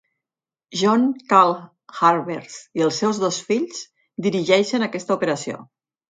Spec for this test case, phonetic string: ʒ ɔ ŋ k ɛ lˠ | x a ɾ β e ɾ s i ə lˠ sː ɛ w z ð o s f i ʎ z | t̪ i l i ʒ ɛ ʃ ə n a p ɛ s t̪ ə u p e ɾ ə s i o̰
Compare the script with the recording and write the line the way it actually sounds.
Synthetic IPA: ʒ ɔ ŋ k a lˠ | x a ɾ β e ɾ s i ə lˠ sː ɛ w z ð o s f i ʎ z | d̪ i ɾ i ʒ ɛ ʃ ə n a k ɛ s t̪ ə u p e ɾ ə s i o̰